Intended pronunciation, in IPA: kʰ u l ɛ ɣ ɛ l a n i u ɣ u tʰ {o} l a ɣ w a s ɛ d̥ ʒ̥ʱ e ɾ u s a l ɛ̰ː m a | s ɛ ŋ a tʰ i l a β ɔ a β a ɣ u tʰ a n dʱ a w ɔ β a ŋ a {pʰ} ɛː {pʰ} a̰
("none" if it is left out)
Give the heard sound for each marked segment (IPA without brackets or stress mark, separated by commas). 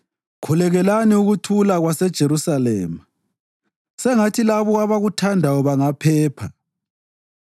u, pʰ, pʰ